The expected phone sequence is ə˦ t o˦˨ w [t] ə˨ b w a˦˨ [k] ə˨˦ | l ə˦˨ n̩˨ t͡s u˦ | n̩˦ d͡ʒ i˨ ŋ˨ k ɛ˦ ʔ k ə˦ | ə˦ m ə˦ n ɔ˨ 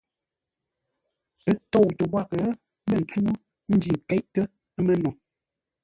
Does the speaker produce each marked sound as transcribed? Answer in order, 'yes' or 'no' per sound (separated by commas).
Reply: yes, yes